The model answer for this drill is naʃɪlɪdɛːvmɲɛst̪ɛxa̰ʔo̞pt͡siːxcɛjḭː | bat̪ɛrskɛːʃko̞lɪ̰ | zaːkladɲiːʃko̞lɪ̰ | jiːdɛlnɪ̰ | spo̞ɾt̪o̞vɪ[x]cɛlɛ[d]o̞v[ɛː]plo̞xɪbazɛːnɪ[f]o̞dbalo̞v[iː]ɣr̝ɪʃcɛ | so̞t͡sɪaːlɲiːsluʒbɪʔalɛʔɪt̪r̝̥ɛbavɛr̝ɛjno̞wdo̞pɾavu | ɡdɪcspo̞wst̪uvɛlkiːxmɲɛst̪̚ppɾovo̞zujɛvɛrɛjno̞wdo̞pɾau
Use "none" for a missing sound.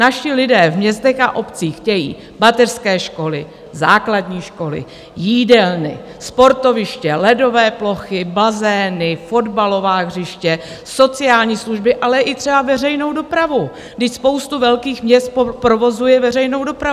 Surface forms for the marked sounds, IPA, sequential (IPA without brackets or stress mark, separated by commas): ʃ, d, ɛː, f, aː